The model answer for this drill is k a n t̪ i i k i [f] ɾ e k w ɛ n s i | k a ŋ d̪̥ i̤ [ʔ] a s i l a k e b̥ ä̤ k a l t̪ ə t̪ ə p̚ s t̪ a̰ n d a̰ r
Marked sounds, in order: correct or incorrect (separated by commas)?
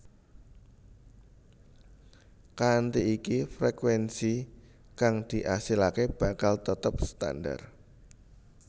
correct, correct